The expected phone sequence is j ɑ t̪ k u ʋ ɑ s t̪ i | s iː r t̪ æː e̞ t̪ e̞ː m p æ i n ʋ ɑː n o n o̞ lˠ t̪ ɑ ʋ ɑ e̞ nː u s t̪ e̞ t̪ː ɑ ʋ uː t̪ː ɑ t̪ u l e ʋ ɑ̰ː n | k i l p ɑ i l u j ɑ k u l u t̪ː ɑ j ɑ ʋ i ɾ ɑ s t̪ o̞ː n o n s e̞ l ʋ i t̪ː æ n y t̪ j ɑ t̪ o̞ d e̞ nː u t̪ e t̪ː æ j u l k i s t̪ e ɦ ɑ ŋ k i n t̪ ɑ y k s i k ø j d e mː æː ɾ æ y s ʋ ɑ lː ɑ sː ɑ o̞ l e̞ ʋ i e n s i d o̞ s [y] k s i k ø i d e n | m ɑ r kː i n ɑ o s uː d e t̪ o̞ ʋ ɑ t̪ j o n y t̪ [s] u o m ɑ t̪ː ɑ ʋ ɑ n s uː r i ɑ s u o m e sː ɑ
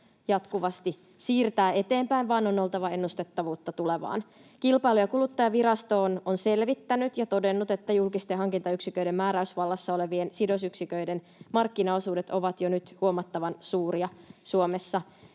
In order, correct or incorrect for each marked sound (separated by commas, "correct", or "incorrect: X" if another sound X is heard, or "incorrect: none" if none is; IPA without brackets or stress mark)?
correct, incorrect: h